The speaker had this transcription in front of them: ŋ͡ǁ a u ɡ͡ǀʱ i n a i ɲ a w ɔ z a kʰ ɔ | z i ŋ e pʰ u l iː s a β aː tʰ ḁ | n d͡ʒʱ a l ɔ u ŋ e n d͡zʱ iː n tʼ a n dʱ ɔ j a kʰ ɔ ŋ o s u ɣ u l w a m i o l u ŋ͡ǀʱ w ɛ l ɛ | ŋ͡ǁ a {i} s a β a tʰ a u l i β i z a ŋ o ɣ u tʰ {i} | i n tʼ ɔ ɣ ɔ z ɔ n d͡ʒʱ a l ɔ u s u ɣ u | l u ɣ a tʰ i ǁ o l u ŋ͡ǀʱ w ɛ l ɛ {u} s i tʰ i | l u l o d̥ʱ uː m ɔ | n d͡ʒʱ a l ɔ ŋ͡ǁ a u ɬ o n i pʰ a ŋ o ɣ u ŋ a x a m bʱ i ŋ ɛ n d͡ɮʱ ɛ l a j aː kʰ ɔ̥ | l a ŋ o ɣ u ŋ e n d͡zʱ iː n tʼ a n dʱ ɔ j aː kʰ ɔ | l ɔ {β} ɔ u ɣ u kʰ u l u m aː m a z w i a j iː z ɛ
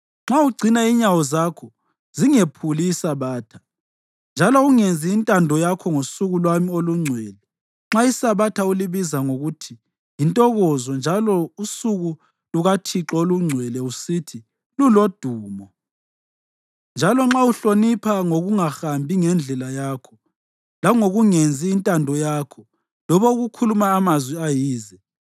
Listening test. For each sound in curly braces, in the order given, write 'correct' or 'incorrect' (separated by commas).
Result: correct, correct, correct, correct